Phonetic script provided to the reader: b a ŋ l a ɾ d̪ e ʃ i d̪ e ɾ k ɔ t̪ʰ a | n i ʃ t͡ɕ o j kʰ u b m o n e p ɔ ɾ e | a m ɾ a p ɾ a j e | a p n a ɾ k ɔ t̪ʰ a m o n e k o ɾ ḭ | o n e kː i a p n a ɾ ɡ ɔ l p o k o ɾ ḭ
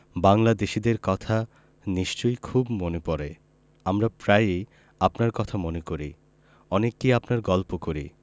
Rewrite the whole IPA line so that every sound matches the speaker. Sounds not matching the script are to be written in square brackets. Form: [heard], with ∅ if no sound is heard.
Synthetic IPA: b a ŋ l a [∅] d̪ e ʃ i d̪ e ɾ k ɔ t̪ʰ a | n i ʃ t͡ɕ o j kʰ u b m o n e p ɔ ɾ e | a m ɾ a p ɾ a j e | a p n a ɾ k ɔ t̪ʰ a m o n e k o ɾ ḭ | [ɔ] n e kː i a p n a ɾ ɡ ɔ l p o k o ɾ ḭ